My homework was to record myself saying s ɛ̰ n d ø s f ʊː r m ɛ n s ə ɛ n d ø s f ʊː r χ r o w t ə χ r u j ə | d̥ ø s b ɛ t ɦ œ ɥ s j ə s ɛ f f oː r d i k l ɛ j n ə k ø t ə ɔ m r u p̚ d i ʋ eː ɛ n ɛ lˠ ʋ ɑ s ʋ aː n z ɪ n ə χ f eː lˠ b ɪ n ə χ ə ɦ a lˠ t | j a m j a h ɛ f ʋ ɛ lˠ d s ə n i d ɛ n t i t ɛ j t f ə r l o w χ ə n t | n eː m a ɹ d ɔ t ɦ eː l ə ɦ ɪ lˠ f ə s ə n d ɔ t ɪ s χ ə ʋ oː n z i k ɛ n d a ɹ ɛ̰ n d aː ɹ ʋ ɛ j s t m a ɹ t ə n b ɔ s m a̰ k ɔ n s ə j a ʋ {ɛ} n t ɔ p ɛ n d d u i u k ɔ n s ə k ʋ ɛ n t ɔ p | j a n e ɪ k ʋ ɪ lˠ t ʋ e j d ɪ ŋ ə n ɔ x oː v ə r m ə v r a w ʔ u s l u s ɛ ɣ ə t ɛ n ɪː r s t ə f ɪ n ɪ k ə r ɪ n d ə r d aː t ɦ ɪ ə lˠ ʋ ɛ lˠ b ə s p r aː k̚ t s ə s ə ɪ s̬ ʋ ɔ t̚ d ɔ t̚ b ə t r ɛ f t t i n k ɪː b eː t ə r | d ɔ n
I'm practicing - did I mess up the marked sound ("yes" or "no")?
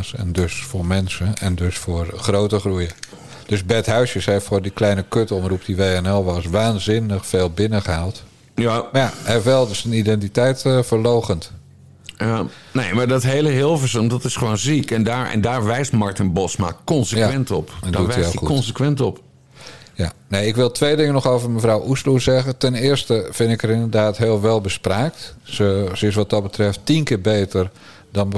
no